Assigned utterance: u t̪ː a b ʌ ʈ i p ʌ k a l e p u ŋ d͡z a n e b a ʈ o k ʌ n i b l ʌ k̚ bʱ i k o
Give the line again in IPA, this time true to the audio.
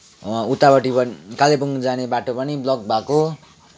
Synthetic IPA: u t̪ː a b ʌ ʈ i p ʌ k a l e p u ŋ d͡z a n e b a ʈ o p ʌ n i b l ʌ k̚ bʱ a k o